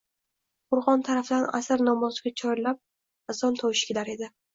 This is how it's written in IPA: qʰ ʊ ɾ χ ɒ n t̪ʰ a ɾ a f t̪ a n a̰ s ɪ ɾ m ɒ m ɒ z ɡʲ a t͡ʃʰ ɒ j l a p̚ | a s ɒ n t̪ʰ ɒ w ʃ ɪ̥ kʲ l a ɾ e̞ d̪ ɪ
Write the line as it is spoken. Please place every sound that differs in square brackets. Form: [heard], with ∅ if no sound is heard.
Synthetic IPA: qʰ ʊ ɾ [ʁ] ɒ n t̪ʰ a ɾ a f [d̪] a n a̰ s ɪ ɾ [n] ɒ m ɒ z ɡʲ a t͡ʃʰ ɒ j l a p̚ | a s ɒ n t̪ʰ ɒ w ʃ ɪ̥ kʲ l a ɾ e̞ d̪ ɪ